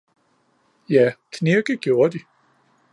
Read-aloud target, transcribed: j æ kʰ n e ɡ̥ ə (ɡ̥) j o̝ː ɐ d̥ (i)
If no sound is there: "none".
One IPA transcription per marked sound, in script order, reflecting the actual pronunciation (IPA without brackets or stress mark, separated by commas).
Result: ɡ̥, i